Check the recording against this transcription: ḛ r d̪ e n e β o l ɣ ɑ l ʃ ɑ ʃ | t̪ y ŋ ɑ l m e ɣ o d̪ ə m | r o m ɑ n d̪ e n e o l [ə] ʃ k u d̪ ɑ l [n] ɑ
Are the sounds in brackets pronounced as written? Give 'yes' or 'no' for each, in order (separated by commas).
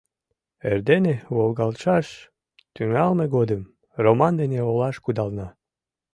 no, yes